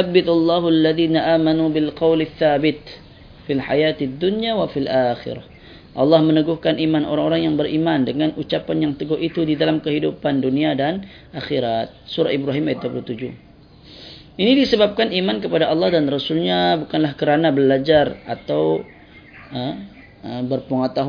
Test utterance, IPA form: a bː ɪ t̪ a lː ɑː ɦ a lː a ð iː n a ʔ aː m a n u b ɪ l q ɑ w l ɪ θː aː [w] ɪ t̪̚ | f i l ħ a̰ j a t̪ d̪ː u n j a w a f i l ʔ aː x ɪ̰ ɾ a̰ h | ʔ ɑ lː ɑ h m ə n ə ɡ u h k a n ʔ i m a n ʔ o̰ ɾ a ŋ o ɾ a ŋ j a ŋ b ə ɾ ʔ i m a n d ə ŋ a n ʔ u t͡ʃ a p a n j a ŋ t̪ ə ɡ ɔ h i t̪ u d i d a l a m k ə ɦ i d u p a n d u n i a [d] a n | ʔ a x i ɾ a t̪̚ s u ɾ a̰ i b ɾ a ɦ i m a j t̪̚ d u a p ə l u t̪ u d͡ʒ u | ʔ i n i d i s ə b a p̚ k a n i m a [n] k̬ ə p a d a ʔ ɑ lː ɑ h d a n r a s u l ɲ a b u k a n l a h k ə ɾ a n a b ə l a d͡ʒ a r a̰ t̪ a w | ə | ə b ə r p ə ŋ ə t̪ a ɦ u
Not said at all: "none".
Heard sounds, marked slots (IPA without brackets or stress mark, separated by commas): b, d, n